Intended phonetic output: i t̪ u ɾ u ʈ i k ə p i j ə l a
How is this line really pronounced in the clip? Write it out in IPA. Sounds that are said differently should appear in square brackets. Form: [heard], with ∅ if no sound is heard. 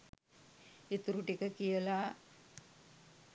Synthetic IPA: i t̪ u ɾ u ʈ i k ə [k] i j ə l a